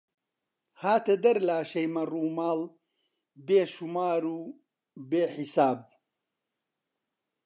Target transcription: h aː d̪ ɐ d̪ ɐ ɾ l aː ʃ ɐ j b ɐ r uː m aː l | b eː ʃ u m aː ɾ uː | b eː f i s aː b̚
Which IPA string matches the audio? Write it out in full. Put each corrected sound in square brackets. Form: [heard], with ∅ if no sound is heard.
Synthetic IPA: h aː [t̪] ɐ d̪ ɐ ɾ l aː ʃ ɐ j [m] ɐ r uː m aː l | b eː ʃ u m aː ɾ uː | b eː [ħ] i s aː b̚